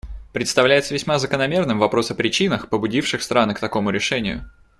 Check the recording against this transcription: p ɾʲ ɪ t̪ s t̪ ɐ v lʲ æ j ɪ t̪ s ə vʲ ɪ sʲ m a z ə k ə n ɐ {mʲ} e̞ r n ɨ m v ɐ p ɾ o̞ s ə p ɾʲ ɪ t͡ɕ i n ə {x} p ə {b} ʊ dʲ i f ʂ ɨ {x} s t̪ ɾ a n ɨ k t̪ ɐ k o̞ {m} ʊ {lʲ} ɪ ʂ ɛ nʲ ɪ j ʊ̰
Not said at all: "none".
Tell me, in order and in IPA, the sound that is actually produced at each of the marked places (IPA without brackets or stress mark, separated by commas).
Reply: mʲ, x, b, x, m, ɾʲ